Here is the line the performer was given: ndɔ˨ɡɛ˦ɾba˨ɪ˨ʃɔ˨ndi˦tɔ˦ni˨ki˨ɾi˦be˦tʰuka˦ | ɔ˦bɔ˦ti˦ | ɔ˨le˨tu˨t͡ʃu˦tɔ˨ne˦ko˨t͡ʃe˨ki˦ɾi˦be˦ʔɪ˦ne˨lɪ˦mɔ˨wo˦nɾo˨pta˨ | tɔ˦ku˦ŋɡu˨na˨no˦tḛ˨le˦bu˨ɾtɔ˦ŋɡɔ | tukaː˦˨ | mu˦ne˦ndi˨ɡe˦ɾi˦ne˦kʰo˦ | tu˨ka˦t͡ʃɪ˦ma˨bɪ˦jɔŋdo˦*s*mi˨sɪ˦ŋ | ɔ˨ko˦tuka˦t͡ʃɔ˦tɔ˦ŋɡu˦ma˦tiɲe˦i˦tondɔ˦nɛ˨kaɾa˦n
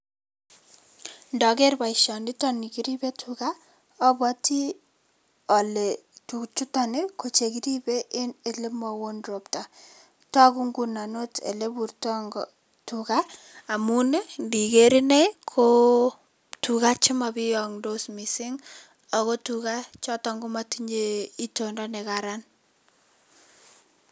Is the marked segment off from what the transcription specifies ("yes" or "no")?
no